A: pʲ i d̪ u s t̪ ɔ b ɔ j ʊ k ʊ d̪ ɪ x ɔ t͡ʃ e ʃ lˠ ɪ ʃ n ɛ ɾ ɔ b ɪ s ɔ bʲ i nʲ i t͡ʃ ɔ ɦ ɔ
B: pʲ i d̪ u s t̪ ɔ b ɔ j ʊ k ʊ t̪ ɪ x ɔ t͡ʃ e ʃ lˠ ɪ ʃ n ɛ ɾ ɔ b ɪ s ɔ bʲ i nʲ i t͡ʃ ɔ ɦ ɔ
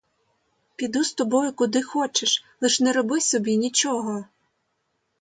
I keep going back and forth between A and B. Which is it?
A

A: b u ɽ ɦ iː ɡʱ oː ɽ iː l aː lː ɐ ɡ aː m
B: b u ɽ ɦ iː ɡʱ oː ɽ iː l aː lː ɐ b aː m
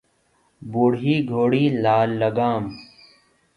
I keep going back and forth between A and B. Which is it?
A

